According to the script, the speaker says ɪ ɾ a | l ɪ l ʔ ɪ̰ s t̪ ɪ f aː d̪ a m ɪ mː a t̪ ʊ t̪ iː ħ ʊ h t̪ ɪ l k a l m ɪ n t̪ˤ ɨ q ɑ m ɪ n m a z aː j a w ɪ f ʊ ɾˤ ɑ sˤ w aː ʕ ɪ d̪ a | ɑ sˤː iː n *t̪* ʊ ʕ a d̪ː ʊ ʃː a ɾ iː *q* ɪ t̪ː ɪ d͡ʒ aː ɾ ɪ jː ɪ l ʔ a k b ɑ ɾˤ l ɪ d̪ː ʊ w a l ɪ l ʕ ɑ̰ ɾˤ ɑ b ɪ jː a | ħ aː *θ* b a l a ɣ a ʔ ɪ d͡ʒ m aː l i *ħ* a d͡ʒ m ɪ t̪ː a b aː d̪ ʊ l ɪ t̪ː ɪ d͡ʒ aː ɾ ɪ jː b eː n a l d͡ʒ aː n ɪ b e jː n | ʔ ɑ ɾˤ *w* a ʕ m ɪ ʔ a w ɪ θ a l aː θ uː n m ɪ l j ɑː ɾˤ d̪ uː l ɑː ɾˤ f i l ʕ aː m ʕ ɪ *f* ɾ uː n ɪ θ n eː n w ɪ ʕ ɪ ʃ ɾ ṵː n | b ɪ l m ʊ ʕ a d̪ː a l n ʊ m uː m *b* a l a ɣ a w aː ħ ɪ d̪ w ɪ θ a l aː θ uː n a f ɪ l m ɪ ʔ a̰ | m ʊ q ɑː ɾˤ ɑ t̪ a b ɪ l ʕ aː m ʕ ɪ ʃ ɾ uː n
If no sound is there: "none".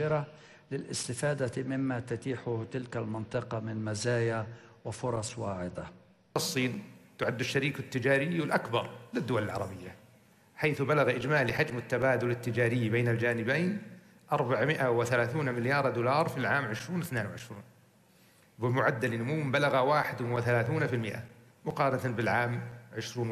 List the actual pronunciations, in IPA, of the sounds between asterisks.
t̪, k, θ, ħ, b, ʃ, b

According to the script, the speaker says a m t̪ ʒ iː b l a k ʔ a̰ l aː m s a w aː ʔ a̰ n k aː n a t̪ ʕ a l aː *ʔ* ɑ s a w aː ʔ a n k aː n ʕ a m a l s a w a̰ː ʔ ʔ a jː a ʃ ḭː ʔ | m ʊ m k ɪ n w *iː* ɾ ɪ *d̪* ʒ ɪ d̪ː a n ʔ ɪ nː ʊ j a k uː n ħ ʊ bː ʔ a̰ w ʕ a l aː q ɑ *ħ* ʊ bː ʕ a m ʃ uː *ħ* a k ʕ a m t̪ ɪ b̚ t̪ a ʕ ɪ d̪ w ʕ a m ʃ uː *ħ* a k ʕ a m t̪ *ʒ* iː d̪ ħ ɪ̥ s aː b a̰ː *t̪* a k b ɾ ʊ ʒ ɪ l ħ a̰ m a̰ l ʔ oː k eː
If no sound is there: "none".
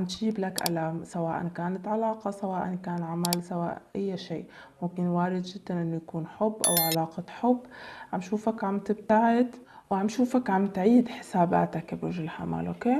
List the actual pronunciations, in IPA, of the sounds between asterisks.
q, aː, d̪, ħ, f, f, ʕ, t̪

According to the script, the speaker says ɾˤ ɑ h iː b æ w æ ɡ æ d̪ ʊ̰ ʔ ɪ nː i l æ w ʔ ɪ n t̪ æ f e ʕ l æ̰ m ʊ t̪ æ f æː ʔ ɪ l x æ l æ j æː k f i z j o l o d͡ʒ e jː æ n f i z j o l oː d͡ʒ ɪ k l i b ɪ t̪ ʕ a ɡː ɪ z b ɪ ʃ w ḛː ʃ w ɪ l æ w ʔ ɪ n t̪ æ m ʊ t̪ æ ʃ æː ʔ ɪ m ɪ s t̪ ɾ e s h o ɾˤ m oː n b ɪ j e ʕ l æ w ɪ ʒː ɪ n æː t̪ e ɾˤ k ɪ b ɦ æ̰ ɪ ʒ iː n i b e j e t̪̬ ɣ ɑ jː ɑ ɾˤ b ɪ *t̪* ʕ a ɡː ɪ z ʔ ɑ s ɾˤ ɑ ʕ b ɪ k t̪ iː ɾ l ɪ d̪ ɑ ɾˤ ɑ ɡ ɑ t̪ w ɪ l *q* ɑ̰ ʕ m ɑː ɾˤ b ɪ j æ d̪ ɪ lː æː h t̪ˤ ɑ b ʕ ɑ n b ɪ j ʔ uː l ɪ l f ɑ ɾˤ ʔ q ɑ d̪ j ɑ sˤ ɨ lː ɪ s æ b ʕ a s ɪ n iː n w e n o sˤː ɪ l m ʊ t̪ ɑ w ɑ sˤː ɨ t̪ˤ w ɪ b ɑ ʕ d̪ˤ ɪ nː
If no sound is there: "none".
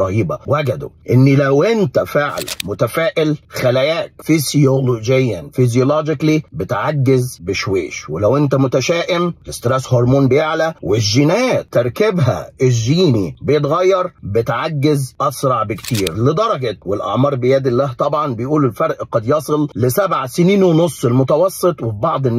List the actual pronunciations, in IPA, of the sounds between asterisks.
t̪, ʔ

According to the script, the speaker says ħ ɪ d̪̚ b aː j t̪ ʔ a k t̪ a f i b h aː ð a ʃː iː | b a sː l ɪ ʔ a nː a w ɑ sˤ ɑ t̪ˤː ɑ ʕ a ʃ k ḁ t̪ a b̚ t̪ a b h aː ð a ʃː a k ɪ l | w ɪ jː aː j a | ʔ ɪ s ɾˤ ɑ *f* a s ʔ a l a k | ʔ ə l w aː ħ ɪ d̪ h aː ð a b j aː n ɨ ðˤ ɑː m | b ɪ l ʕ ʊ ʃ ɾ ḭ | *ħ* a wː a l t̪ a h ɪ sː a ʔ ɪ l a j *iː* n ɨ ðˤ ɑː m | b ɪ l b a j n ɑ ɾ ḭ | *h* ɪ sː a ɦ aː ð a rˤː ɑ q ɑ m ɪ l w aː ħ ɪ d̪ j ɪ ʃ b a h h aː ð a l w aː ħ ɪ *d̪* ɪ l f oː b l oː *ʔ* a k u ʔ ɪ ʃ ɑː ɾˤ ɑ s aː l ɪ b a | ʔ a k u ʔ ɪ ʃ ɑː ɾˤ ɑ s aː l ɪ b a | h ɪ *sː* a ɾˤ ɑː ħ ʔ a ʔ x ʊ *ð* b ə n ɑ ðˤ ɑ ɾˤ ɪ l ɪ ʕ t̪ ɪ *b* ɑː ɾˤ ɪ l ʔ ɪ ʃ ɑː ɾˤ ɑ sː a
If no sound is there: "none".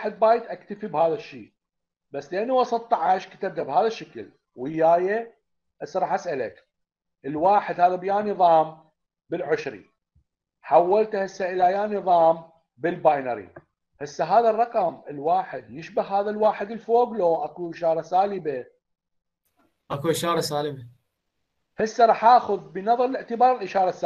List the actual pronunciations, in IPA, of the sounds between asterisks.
ħ, ħ, aː, h, d̪, ʔ, sː, ð, b

